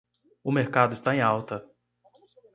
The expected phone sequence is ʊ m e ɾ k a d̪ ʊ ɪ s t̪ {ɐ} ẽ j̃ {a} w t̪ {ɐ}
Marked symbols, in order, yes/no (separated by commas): no, yes, yes